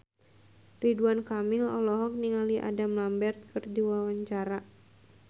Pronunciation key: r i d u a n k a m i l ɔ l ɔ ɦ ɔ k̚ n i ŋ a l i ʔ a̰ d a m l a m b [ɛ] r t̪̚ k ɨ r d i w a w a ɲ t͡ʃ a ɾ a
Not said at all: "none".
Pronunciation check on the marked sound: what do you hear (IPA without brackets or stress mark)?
ɛ